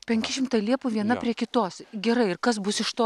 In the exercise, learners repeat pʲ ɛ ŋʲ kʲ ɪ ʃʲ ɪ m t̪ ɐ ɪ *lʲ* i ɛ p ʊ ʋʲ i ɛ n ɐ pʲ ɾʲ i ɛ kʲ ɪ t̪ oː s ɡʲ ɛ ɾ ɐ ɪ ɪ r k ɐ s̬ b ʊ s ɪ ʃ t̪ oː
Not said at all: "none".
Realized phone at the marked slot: lʲ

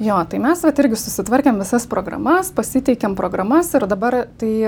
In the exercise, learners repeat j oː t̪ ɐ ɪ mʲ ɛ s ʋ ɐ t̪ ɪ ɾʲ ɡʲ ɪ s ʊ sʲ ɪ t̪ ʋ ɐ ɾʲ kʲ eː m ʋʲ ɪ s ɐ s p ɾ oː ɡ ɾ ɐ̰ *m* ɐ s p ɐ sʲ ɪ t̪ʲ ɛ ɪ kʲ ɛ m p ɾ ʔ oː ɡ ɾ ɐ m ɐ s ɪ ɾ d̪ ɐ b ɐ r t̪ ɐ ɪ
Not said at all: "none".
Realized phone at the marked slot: m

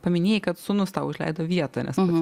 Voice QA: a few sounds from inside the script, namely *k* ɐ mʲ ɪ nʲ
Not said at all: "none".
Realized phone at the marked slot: p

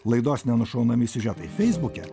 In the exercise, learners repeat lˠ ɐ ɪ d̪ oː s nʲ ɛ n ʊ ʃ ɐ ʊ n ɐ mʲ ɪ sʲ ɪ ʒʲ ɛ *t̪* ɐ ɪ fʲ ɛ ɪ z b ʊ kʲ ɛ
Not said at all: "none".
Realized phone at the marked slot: t̪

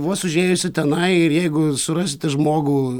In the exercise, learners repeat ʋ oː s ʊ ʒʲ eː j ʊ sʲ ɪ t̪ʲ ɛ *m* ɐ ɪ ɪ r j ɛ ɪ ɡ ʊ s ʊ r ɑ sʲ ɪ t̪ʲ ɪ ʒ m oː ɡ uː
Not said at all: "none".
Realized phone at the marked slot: n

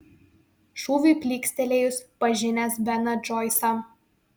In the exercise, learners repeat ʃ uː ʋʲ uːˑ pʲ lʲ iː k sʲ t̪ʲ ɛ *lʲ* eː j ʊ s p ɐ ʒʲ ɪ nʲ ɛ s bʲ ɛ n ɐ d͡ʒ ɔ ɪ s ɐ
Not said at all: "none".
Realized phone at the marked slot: lʲ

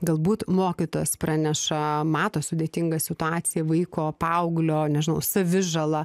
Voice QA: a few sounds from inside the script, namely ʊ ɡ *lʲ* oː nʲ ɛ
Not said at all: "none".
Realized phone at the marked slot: lʲ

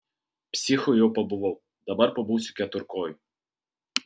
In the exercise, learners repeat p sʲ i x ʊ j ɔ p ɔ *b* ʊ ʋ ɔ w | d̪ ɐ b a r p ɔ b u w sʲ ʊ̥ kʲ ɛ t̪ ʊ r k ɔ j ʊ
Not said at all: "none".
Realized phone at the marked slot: b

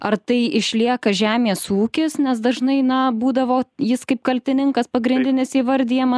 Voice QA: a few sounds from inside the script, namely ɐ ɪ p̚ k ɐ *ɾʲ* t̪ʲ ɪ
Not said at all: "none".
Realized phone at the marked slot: lʲ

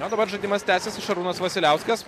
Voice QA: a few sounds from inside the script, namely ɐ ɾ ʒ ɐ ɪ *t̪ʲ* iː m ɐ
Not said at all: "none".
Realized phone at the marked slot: d̪ʲ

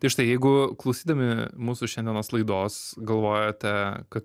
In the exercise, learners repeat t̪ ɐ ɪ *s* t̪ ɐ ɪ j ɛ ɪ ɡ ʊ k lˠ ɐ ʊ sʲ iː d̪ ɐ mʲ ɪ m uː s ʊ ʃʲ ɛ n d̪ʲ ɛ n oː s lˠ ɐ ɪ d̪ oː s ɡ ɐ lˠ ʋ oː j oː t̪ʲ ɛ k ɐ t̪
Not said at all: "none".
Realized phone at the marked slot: ʃ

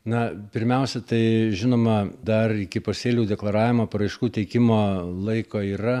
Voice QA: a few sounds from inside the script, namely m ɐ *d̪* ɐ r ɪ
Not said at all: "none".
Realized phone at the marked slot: d̪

